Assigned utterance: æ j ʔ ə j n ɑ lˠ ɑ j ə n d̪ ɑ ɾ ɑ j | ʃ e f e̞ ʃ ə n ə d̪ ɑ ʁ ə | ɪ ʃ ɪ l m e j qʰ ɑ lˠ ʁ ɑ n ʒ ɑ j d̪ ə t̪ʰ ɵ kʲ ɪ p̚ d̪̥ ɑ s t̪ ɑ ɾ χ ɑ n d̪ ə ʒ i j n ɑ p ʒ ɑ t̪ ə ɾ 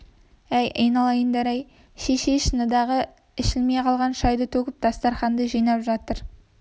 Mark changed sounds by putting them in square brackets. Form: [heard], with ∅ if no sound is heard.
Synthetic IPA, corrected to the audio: æ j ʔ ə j n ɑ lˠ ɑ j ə n d̪ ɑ ɾ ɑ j | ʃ e [ʃ] e̞ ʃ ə n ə d̪ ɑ ʁ ə | ɪ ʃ ɪ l m e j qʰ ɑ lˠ ʁ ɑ n [ʃ] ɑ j d̪ ə t̪ʰ ɵ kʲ ɪ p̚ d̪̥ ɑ s t̪ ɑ ɾ χ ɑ n d̪ ə ʒ i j n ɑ p ʒ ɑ t̪ ə ɾ